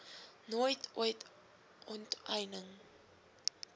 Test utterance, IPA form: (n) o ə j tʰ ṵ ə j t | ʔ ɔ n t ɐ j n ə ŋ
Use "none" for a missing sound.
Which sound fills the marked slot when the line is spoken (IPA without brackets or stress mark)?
n